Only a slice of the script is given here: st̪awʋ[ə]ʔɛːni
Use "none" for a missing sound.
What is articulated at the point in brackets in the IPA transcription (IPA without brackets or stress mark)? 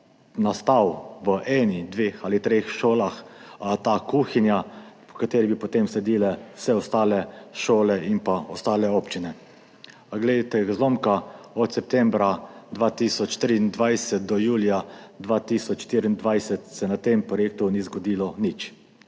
ə